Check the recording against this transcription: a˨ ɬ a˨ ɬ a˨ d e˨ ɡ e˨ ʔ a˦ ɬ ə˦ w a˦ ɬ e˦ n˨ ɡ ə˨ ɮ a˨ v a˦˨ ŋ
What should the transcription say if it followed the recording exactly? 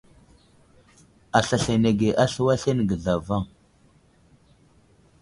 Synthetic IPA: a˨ ɬ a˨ ɬ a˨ n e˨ ɡ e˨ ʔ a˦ ɬ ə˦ w a˦ ɬ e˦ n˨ ɡ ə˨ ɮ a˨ v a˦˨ ŋ